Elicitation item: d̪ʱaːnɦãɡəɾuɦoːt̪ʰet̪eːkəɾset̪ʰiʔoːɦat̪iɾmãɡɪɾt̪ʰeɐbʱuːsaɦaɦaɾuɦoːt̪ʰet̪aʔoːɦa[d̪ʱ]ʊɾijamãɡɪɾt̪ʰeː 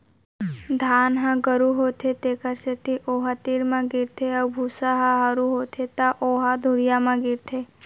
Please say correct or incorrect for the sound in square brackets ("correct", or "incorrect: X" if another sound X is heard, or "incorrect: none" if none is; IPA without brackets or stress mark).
correct